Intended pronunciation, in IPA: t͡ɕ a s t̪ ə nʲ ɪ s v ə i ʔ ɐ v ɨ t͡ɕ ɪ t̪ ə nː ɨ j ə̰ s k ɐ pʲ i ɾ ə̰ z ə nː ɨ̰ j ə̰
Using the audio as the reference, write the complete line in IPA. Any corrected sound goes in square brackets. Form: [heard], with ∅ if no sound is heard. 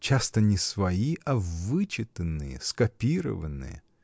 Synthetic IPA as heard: t͡ɕ a s t̪ ə nʲ ɪ s v [ɐ] i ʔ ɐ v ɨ t͡ɕ ɪ t̪ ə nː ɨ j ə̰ s k ɐ pʲ i ɾ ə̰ [v] ə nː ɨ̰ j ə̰